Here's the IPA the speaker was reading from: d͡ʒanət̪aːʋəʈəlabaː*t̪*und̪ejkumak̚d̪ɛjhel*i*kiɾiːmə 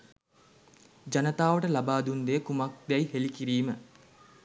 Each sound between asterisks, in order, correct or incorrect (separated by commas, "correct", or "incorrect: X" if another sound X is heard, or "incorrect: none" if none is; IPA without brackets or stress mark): incorrect: d̪, correct